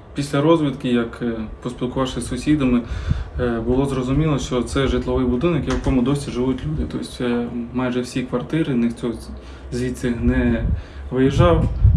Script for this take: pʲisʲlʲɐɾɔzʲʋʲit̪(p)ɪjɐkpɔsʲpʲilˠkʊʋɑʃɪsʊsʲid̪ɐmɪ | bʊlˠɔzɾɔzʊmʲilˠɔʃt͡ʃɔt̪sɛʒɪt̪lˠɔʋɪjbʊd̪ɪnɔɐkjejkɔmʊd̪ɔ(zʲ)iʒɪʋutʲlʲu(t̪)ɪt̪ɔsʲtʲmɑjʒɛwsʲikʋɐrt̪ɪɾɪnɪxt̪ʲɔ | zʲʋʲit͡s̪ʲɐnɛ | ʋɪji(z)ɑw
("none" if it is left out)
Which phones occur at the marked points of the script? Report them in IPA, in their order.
k, sʲ, d̪, ʒ

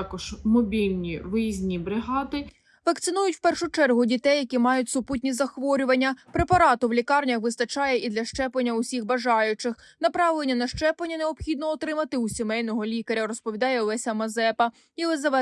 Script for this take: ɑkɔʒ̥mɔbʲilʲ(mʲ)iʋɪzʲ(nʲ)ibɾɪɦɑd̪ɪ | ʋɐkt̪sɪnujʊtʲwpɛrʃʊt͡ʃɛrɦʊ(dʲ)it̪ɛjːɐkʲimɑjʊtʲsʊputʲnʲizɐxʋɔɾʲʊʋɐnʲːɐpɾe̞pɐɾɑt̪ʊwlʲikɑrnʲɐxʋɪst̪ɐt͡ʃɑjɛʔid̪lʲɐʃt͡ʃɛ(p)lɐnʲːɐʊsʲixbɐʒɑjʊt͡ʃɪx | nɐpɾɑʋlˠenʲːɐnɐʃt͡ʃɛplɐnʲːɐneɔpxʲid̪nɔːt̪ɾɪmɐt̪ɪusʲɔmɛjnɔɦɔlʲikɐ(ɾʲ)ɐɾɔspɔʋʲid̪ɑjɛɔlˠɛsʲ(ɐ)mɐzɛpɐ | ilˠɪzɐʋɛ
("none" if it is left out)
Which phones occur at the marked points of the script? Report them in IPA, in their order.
nʲ, nʲ, dʲ, p, ɾʲ, ɐ

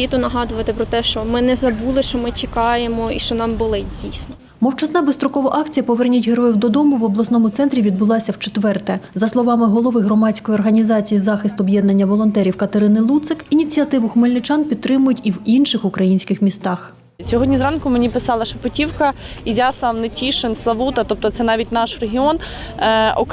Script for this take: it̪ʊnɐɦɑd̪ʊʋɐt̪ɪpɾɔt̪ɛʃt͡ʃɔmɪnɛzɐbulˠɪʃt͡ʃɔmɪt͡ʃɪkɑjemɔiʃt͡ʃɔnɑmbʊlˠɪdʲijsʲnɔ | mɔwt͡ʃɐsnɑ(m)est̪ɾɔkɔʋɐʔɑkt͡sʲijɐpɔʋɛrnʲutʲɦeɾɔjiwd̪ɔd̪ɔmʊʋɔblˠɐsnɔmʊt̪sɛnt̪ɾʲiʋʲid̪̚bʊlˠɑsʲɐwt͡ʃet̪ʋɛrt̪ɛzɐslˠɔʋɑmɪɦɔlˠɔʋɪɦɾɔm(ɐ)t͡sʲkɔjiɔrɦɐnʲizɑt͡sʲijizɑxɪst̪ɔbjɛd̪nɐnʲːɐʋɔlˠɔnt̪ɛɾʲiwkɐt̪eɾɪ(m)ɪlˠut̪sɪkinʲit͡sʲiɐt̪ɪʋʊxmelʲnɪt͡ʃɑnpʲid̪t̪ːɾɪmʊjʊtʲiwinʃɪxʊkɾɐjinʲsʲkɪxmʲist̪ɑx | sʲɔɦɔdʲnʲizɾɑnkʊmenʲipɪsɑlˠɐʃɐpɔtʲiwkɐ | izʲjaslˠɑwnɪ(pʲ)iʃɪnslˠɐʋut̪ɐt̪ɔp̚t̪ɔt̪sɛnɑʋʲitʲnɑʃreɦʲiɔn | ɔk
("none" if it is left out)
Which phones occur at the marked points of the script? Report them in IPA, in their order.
b, ɑ, n, tʲ

